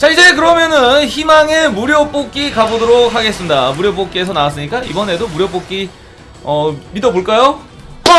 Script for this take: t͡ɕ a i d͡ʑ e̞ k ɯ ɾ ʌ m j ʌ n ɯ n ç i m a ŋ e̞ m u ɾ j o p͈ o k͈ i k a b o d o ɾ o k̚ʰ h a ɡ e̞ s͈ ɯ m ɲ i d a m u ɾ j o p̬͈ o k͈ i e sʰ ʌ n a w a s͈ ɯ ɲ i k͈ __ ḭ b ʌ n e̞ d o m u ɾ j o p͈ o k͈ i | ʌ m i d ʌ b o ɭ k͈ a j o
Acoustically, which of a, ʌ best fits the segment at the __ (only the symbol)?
a